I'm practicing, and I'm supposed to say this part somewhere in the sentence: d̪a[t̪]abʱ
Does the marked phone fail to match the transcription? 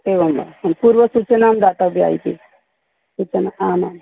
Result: no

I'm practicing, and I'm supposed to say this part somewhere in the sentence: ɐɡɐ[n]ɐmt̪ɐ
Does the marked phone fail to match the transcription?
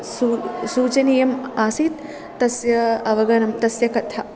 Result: no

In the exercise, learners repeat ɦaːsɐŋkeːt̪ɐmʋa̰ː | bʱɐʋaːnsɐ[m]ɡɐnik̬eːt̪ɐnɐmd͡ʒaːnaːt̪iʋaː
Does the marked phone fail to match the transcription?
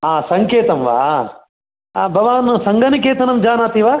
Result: yes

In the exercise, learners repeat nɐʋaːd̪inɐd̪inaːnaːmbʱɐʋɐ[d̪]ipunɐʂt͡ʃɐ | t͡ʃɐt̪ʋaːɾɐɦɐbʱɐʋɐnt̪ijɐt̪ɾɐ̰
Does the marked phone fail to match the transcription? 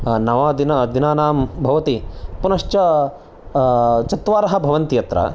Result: yes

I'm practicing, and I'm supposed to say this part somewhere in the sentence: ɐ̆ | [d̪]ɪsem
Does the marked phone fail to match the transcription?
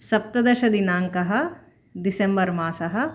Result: no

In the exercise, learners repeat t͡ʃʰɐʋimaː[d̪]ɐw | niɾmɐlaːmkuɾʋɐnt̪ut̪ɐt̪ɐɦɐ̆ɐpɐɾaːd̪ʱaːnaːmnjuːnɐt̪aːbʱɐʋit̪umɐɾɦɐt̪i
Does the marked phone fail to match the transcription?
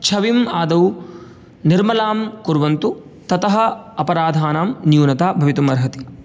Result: no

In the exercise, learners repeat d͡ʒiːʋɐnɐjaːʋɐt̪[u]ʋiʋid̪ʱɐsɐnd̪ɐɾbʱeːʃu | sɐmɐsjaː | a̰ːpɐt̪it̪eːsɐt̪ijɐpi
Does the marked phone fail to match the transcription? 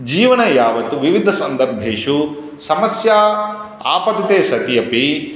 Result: no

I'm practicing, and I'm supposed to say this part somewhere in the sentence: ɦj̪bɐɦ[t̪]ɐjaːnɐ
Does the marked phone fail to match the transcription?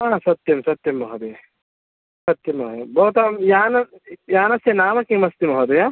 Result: no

